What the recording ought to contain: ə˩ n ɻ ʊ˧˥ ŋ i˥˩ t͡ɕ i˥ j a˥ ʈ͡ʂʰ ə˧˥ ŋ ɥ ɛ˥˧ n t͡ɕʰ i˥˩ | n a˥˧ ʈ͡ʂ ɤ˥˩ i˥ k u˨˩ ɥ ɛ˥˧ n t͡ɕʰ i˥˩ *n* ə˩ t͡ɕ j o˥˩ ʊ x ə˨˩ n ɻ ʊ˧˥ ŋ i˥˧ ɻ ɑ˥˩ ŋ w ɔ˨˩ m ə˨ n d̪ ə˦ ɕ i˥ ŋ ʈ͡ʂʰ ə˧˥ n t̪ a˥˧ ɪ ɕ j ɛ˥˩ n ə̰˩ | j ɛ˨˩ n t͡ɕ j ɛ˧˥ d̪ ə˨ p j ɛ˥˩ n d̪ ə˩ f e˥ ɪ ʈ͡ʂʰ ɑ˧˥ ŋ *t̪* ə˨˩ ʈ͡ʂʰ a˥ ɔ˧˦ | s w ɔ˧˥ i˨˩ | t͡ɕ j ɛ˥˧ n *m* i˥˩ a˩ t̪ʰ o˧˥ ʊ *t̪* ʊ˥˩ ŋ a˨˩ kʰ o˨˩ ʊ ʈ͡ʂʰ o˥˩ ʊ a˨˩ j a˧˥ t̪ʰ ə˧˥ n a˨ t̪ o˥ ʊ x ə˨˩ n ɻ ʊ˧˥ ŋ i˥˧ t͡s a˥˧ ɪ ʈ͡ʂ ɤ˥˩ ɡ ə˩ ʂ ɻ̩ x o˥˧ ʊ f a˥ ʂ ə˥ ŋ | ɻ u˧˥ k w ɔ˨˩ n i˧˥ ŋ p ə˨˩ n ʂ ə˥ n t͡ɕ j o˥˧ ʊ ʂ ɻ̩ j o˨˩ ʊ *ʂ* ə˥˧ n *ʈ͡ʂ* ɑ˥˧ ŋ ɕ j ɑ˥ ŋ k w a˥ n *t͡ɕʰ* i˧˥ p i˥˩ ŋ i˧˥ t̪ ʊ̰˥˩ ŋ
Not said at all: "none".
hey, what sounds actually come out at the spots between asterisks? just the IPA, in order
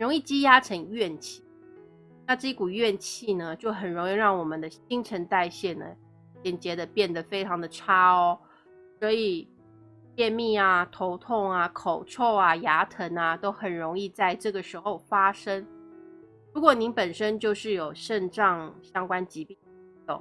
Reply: n, d̪, m, t̪ʰ, ʂ, ʈ͡ʂ, t͡ɕ

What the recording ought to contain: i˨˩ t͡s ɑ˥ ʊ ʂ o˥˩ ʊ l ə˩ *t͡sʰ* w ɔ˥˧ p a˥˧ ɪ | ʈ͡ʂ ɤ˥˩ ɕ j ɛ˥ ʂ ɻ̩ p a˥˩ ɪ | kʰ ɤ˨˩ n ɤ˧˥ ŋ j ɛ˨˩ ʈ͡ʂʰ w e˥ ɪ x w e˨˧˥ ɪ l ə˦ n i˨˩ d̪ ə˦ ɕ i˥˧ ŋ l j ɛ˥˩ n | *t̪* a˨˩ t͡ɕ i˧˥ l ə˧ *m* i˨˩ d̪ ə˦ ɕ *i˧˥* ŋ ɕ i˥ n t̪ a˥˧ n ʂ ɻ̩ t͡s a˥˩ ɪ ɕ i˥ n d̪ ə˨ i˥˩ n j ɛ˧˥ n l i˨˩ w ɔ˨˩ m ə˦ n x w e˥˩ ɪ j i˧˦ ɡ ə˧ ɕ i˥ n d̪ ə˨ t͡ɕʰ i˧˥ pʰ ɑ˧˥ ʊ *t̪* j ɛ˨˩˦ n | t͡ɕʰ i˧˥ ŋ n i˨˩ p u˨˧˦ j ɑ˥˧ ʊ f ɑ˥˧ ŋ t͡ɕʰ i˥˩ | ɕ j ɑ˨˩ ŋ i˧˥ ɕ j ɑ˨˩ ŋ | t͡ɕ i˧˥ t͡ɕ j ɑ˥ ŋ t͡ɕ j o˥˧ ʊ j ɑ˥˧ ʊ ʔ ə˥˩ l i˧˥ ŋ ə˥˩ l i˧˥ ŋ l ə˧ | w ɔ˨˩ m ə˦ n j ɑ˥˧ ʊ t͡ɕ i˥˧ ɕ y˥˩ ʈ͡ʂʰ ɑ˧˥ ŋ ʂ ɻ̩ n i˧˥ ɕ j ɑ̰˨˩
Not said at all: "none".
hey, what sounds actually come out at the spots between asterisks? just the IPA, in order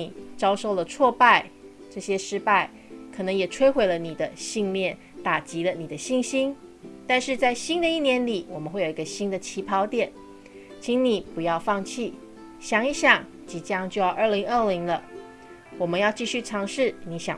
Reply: t͡sʰ, t̪, n, i˥˩, t̪

